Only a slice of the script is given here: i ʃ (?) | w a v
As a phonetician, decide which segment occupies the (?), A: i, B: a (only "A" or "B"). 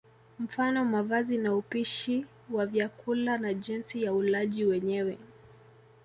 A